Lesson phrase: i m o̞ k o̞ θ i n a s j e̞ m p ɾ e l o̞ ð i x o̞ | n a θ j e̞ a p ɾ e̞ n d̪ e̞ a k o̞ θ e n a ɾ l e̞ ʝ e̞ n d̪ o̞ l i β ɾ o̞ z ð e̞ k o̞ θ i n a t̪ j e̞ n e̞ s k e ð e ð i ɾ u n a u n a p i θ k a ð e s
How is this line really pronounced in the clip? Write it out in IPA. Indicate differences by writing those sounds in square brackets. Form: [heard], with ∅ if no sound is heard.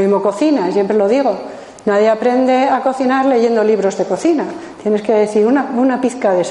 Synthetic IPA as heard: i m o̞ k o̞ θ i n a s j e̞ m p ɾ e l o̞ ð i [ɣ] o̞ | n a [ð] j e̞ a p ɾ e̞ n d̪ e̞ a k o̞ θ [i] n a ɾ l e̞ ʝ e̞ n d̪ o̞ l i β ɾ o̞ z ð e̞ k o̞ θ i n a t̪ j e̞ n e̞ s k e ð e [θ] i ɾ u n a u n a p i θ k a ð e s